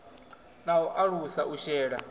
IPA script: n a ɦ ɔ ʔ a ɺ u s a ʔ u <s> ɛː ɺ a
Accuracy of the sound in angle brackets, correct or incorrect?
incorrect